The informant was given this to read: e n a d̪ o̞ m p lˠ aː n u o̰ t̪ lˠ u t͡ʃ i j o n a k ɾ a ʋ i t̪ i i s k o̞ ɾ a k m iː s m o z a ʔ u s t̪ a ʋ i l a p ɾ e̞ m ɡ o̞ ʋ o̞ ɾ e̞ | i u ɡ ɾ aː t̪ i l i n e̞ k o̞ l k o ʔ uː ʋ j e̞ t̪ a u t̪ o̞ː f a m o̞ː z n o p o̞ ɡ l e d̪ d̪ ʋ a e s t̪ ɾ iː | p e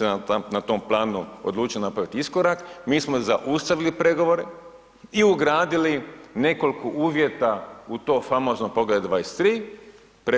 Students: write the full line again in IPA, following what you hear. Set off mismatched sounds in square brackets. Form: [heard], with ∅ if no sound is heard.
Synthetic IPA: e n a [t̪] o̞ m p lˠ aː n u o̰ [d̪] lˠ [uː] t͡ʃ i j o n a [p] ɾ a ʋ i t̪ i i s k o̞ ɾ a k m iː s m o z a ʔ u s t̪ a ʋ i l [i] p ɾ e̞ [∅] ɡ o̞ ʋ o̞ ɾ e̞ | i u ɡ ɾ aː [d̪] i l i n e̞ k o̞ l k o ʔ uː ʋ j e̞ t̪ a u t̪ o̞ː f a m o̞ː z n o p o̞ ɡ l e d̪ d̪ ʋ a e s t̪ ɾ iː | p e